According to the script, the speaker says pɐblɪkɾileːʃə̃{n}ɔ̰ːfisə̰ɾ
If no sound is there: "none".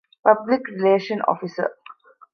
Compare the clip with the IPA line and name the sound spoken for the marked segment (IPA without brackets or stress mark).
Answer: n